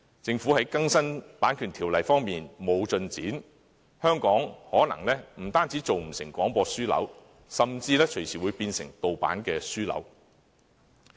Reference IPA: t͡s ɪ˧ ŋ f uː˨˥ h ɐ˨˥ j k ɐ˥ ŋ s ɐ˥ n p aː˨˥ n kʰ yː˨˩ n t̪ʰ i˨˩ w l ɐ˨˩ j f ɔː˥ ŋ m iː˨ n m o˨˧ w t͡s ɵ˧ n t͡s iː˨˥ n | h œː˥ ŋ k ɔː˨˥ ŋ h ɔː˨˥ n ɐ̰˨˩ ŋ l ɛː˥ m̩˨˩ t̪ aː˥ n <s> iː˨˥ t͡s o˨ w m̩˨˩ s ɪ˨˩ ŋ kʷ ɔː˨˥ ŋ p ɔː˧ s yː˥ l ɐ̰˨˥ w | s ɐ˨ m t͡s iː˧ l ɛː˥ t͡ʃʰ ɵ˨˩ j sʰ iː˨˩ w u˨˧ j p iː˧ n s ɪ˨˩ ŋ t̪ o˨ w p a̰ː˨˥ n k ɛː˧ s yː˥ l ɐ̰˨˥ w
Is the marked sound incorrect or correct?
incorrect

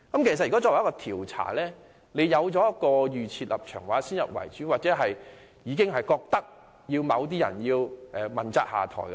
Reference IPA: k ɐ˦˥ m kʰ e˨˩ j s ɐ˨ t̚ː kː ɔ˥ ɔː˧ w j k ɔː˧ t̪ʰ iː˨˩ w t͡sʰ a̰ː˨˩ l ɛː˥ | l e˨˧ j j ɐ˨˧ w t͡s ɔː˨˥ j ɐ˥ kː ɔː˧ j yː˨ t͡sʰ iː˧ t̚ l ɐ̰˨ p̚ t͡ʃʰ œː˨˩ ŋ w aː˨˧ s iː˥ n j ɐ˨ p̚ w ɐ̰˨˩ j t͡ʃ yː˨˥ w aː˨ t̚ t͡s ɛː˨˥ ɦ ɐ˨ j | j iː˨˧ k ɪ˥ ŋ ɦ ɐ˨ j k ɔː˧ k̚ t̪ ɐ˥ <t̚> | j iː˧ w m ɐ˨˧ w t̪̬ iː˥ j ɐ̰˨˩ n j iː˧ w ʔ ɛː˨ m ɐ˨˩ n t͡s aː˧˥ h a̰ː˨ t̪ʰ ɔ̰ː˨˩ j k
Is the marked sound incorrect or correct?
incorrect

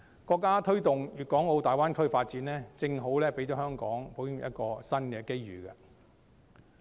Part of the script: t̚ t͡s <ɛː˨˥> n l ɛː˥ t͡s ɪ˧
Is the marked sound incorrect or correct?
incorrect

